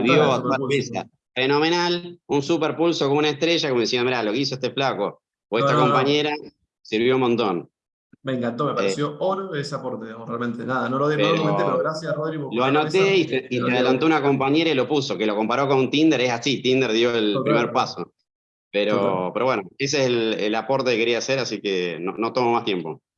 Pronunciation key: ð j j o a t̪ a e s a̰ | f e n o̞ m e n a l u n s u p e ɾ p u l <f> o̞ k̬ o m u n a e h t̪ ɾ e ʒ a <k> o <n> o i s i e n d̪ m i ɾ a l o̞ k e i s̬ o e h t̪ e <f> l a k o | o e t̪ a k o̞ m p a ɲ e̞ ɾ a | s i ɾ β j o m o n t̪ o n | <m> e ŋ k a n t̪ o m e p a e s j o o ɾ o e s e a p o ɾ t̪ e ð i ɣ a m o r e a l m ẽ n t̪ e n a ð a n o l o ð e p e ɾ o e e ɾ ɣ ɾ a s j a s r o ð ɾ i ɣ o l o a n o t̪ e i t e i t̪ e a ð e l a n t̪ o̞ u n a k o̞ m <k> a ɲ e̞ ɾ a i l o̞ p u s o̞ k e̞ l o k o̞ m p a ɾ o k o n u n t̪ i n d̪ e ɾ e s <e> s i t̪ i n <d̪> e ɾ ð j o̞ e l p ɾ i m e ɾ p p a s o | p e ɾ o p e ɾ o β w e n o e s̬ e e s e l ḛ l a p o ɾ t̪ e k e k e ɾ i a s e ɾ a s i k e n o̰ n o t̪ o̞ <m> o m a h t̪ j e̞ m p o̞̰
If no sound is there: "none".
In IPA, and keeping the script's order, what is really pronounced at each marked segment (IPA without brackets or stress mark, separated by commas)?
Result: s, k, m, f, m, p, a, d̪, m